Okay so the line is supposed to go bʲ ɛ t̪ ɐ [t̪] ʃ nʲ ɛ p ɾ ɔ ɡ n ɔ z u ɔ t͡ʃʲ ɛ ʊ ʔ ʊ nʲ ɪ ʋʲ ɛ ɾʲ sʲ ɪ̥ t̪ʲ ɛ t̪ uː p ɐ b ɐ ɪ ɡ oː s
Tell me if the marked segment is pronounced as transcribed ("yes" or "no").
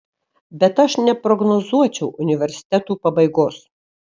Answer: no